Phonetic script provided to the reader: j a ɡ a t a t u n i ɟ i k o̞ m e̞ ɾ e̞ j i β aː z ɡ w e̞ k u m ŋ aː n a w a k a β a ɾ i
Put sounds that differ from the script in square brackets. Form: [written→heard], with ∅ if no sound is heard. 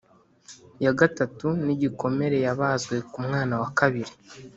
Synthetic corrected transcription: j a ɡ a t a t u n i ɟ i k o̞ m e̞ ɾ e̞ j [i→a] β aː z ɡ w e̞ k u m ŋ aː n a w a k a β [a→i] ɾ i